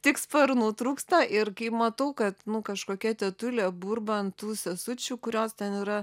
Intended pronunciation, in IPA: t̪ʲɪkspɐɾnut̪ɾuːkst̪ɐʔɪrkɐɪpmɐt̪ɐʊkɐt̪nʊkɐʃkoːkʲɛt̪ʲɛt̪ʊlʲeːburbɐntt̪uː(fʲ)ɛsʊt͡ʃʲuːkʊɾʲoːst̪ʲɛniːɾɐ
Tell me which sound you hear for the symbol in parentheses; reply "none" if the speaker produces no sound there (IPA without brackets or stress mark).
sʲ